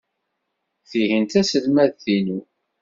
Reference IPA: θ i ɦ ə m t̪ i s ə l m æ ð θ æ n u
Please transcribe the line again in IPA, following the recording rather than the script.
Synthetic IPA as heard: θ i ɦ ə n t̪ æ s ə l m æ ð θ i n u